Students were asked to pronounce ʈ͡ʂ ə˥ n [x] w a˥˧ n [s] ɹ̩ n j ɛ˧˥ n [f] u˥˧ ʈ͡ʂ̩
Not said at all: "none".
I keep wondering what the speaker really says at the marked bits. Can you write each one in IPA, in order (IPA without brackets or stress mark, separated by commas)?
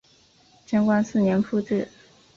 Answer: k, s, f